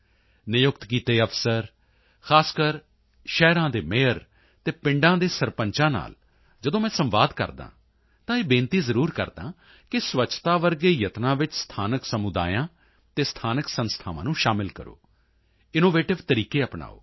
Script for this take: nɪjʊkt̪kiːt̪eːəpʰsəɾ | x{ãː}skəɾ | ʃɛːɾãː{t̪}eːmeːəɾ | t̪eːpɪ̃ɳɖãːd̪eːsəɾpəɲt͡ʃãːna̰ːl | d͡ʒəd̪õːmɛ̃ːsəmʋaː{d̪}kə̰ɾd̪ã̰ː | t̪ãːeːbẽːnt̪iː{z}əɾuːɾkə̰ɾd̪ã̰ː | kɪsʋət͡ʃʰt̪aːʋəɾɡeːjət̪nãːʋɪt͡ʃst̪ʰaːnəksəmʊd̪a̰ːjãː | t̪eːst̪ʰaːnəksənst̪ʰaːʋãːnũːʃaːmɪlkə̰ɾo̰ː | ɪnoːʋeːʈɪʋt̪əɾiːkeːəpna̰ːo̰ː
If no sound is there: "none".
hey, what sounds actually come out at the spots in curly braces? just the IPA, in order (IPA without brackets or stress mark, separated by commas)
aː, d̪, d̪, z